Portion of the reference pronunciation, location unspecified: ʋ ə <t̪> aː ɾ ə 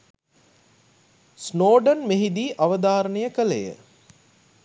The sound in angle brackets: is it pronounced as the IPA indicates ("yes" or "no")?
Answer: no